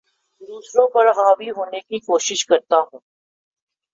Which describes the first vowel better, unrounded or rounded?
rounded